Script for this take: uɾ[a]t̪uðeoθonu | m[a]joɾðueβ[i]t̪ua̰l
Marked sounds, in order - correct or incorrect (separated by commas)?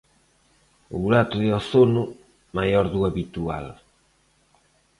correct, correct, correct